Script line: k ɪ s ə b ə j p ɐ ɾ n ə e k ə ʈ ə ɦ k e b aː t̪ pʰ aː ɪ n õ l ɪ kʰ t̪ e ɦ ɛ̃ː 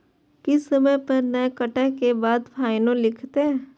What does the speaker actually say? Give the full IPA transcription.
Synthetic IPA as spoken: k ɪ s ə m ə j p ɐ ɾ n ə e k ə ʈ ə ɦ k e b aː d̪ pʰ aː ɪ n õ l ɪ kʰ t̪ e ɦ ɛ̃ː

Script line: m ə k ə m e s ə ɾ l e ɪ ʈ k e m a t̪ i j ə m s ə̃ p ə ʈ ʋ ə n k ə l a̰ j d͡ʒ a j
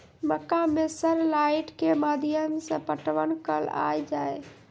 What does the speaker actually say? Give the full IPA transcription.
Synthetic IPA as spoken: m ə k a m e s ə ɾ l a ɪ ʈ k e m a d̪ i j ə m s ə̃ p ə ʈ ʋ ə n k ə l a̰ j d͡ʒ a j

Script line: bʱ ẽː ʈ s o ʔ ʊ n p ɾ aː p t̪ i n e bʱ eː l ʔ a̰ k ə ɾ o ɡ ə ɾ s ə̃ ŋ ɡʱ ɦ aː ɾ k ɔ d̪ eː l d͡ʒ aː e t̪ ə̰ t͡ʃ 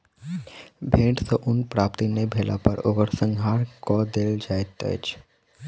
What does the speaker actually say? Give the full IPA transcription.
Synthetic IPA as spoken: bʱ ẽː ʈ s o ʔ ʊ n p ɾ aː p t̪ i n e bʱ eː l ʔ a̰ p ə ɾ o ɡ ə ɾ s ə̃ ŋ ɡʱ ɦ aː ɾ k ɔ d̪ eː l d͡ʒ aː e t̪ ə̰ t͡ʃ

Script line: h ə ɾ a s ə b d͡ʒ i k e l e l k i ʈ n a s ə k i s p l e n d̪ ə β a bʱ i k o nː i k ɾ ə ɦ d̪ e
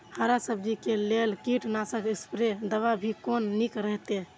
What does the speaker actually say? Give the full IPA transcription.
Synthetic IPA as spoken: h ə ɾ a s ə b d͡ʒ i k e l e l k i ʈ n a s ə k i s p ɾ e d̪ ə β a bʱ i k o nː i k ɾ ə ɦ t̪ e

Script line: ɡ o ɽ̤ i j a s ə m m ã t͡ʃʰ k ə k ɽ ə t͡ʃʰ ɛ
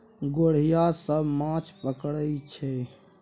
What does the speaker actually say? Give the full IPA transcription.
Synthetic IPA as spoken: ɡ o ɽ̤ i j a s ə b m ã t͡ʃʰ p ə k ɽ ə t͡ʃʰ ɛ

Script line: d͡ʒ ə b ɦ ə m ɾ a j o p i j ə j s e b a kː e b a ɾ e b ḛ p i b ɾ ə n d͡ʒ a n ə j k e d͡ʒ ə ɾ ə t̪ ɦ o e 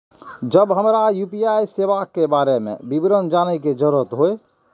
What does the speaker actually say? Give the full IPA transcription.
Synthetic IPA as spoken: d͡ʒ ə b ɦ ə m ɾ a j u p i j a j s e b a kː e b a ɾ e m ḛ b i b ɾ ə n d͡ʒ a n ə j k e d͡ʒ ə ɾ ə t̪ ɦ o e

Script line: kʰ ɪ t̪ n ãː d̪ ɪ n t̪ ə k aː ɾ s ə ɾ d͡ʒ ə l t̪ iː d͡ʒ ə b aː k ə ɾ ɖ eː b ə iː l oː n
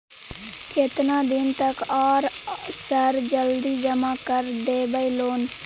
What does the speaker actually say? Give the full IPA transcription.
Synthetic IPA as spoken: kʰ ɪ t̪ n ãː d̪ ɪ n t̪ ə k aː ɾ s ə ɾ d͡ʒ ə l d̪ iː d͡ʒ ə m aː k ə ɾ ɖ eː b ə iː l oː n

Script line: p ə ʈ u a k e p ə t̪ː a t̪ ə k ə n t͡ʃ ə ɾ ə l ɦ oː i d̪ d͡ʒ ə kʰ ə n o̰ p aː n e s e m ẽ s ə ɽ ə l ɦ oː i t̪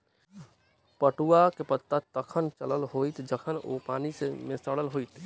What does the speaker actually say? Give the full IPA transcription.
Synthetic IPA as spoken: p ə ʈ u a k e p ə t̪ː a t̪ ə kʰ ə n t͡ʃ ə l ə l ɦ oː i t̪ d͡ʒ ə kʰ ə n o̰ p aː n i s e m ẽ s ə ɽ ə l ɦ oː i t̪

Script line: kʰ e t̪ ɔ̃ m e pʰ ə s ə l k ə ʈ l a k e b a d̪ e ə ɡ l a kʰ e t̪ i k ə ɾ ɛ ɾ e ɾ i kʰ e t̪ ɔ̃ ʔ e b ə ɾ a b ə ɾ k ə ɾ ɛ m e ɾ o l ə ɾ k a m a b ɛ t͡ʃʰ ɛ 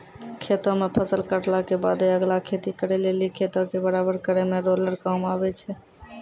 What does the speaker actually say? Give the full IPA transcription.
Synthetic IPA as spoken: kʰ e t̪ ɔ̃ m e pʰ ə s ə l k ə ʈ l a k e b a d̪ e ə ɡ l a kʰ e t̪ i k ə ɾ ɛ l e l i kʰ e t̪ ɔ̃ k e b ə ɾ a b ə ɾ k ə ɾ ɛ m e ɾ o l ə ɾ k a m a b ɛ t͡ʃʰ ɛ

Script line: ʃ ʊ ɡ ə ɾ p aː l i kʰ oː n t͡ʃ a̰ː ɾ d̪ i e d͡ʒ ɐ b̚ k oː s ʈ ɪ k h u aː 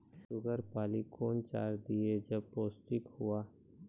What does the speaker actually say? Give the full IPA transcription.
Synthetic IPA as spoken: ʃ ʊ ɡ ə ɾ p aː l i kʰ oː n t͡ʃ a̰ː ɾ d̪ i e d͡ʒ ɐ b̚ p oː s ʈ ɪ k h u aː

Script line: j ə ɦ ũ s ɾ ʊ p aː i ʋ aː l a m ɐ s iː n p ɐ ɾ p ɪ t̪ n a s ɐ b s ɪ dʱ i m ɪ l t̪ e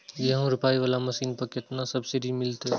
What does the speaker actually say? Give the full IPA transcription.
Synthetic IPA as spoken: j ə ɦ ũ ɾ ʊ p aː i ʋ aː l a m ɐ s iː n p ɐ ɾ k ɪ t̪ n a s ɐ b s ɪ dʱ i m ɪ l t̪ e

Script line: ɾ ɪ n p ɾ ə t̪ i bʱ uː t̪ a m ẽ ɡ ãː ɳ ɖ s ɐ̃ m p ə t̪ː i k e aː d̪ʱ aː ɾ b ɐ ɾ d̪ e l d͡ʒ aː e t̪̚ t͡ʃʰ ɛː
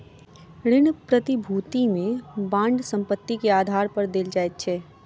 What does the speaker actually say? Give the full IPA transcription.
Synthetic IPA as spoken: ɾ ɪ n p ɾ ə t̪ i bʱ uː t̪ i m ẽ b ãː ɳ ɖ s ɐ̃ m p ə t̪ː i k e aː d̪ʱ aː ɾ p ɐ ɾ d̪ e l d͡ʒ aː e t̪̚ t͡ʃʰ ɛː

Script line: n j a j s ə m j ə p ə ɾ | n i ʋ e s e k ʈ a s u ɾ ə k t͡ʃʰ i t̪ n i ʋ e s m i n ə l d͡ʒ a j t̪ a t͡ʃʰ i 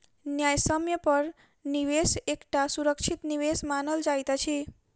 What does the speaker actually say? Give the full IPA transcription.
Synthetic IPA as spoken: n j a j s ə m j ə p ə ɾ | n i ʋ e s e k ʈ a s u ɾ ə k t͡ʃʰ i t̪ n i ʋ e s m a n ə l d͡ʒ a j t̪ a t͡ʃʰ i

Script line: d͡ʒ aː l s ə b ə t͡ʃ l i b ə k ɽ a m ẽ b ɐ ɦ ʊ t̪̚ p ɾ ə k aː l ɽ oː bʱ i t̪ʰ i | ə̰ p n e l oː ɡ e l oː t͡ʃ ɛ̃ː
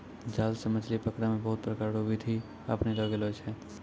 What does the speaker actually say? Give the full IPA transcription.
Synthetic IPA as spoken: d͡ʒ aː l s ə m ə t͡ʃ l i p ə k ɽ a m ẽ b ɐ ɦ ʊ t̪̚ p ɾ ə k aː ɾ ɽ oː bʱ i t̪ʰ i | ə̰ p n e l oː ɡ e l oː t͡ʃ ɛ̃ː

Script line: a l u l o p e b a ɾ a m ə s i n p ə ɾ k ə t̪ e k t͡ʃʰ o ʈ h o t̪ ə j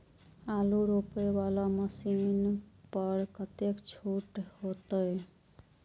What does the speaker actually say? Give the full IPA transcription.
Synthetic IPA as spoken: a l u ɾ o p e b a l a m ə s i n p ə ɾ k ə t̪ e k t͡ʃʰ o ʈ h o t̪ ə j

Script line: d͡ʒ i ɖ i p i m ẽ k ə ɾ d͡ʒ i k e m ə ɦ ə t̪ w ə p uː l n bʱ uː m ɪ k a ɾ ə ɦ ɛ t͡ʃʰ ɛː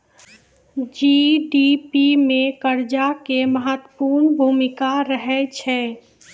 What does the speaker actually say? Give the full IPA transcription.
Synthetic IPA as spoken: d͡ʒ i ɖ i p i m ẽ k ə ɾ d͡ʒ a k e m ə ɦ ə t̪ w ə p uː ɾ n bʱ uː m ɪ k a ɾ ə ɦ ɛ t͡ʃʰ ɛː

